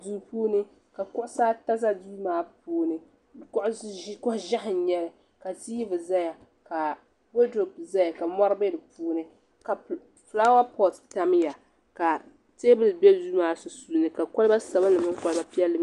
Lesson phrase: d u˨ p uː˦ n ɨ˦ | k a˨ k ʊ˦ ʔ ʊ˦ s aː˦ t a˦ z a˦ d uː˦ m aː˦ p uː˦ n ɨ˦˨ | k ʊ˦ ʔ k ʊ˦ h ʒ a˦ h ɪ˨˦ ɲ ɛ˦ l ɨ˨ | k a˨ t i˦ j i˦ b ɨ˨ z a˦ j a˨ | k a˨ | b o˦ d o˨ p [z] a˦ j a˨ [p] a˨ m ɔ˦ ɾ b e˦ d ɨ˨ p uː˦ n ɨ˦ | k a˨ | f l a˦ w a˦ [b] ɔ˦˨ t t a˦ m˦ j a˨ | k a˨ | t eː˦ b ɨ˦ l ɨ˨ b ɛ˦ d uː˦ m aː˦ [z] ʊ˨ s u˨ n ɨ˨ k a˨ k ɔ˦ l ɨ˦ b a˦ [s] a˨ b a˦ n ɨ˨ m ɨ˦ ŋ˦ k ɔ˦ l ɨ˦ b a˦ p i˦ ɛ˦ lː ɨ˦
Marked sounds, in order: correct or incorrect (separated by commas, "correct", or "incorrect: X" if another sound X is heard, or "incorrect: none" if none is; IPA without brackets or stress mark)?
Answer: correct, incorrect: k, incorrect: p, incorrect: s, correct